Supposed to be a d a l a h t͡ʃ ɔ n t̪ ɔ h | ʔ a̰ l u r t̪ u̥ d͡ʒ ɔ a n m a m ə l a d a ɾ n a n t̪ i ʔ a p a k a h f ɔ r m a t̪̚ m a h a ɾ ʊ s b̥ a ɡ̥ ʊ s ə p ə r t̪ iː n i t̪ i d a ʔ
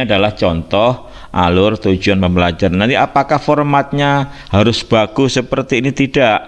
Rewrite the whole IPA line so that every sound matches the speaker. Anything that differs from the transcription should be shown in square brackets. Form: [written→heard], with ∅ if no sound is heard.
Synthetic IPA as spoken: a d a l a h t͡ʃ ɔ n t̪ ɔ h | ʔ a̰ l [u→ʊ] r t̪ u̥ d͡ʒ [ɔ→u] a n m [a→ə] m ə l a [d→d͡ʒ] a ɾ n a n t̪ i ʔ a p a k a h f ɔ r m a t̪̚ [m→ɲ] a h a ɾ ʊ s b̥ a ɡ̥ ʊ s ə p ə r t̪ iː n i t̪ i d a ʔ